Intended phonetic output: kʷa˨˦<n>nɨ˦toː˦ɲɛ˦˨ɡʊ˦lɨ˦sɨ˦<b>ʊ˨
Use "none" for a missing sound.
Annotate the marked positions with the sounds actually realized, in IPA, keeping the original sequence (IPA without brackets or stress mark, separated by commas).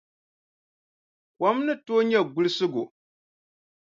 m, ɡ